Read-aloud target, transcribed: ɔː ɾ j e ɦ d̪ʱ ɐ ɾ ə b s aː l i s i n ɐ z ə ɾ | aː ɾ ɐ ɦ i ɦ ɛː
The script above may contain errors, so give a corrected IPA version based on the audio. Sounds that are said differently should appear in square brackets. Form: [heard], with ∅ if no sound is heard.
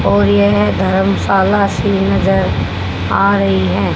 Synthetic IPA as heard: ɔː ɾ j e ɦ d̪ʱ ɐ ɾ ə [m] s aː l [a] s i n ɐ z ə ɾ | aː ɾ ɐ ɦ i ɦ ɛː